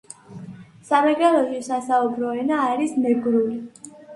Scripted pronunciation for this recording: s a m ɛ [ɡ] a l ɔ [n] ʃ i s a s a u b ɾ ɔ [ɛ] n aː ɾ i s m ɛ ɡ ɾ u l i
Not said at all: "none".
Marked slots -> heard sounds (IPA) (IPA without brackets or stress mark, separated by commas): ɡ, none, ɛ